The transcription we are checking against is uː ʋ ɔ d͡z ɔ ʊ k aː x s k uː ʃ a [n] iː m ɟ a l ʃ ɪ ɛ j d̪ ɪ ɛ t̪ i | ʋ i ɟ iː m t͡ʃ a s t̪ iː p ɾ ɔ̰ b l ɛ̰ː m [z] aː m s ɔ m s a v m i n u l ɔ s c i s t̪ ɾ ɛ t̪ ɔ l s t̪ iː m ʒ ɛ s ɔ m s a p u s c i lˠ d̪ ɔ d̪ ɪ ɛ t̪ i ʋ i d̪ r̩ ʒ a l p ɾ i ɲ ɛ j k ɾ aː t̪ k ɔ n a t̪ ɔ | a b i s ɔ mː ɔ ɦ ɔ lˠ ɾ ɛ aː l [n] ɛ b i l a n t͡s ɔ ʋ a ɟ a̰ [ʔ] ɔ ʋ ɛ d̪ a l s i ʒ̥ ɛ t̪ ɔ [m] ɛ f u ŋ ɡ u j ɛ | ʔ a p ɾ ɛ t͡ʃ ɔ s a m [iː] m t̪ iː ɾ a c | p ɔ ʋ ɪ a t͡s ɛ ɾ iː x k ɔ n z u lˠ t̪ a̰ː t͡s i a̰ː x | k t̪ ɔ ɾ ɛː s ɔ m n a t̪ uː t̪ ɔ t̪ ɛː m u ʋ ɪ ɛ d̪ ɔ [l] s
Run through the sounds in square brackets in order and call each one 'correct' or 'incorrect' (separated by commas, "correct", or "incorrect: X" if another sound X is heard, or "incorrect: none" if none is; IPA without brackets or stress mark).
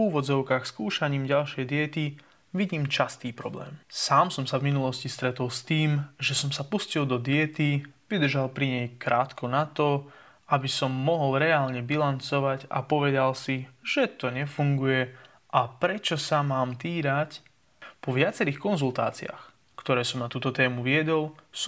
incorrect: ɲ, incorrect: s, incorrect: ɲ, incorrect: p, incorrect: ɲ, incorrect: aː, correct